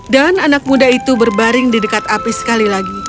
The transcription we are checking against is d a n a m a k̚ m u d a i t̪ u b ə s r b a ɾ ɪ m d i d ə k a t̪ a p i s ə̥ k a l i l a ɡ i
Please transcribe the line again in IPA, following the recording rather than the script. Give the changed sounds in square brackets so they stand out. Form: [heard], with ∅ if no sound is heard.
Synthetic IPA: d a n a [n] a k̚ m u d a i t̪ u b ə [∅] r b a ɾ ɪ [ŋ] d i d ə k a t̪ a p i s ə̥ k a l i l a ɡ i

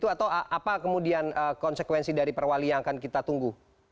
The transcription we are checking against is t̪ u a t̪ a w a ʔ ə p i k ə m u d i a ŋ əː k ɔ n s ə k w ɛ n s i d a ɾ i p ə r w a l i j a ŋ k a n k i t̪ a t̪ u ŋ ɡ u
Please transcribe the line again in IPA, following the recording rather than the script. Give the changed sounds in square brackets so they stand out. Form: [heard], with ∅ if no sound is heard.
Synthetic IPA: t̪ u a t̪ a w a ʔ [a] p [a] k ə m u d i a [n] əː k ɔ n s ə k w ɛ n s i d a ɾ i p ə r w a l i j a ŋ k a n k i t̪ a t̪ u ŋ ɡ u

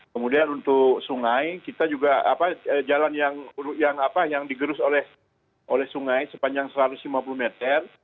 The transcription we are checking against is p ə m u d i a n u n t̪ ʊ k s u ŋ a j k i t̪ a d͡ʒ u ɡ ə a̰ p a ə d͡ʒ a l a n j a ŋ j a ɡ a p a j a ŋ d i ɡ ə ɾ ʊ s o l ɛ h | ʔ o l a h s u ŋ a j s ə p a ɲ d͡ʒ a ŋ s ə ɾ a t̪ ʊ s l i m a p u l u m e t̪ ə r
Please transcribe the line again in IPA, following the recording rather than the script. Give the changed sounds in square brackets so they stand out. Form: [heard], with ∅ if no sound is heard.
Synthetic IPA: [k] ə m u d i a n u n t̪ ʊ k s u ŋ a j k i t̪ a d͡ʒ u ɡ [a] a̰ p a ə d͡ʒ a l a n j a ŋ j a [ŋ] a p a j a ŋ d i ɡ ə ɾ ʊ s o l ɛ h | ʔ o l [ɛ] h s u ŋ a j s ə p a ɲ d͡ʒ a ŋ s ə ɾ a t̪ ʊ s l i m a p u l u m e t̪ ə r

